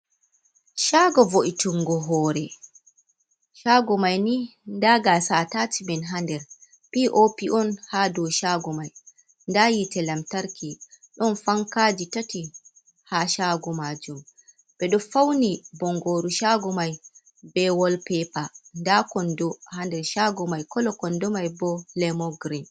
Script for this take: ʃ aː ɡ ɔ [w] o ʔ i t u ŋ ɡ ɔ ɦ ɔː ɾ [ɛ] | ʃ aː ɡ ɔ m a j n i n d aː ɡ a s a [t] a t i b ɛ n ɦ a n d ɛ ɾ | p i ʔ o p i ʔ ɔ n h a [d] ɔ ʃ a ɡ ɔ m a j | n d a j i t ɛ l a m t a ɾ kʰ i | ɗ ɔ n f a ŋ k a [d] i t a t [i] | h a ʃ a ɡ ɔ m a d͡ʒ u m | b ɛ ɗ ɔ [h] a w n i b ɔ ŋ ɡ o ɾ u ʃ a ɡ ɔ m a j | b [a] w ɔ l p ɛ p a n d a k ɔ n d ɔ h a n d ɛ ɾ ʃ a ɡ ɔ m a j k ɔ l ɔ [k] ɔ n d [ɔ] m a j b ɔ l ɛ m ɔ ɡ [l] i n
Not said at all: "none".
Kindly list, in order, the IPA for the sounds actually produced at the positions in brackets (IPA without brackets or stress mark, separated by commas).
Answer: v, ɛ, t, d, d͡ʒ, i, f, ɛ, k, ɔ, ɾ